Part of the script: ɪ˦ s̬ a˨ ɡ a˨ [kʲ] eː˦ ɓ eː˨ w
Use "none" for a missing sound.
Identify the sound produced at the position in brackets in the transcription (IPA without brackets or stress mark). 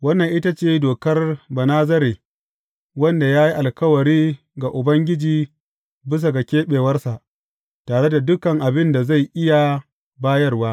kʲ